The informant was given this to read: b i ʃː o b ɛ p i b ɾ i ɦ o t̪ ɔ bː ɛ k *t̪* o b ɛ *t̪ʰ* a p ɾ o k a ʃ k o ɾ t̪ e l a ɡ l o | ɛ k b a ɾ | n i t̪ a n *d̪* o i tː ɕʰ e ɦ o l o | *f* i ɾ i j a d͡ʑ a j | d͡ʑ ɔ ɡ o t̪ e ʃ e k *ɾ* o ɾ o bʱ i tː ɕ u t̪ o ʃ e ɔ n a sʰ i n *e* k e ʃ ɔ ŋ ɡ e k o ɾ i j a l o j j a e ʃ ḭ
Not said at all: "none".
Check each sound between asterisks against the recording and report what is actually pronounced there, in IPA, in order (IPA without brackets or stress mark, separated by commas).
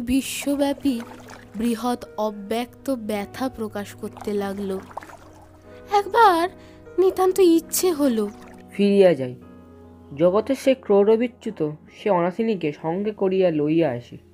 t̪, t̪ʰ, t̪, f, ɾ, i